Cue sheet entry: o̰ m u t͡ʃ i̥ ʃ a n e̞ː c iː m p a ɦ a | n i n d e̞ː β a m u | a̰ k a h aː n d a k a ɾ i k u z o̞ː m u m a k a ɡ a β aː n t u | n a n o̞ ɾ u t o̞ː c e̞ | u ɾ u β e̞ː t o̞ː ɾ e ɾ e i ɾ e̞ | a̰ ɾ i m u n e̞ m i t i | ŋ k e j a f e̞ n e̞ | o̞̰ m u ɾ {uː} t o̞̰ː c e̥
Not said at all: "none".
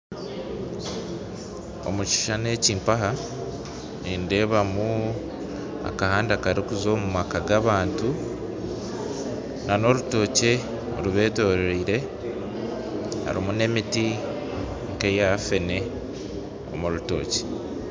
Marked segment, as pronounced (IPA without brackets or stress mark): u